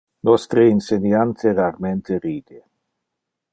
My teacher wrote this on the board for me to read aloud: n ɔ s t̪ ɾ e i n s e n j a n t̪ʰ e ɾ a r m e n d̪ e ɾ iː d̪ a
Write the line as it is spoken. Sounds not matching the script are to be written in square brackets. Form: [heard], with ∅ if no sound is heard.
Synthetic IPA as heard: n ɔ s t̪ ɾ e i n s e n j a n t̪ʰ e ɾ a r m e n [t̪] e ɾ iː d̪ [e]